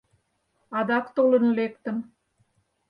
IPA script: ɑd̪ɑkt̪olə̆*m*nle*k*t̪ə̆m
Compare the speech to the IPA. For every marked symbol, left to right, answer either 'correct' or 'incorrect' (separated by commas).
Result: incorrect, correct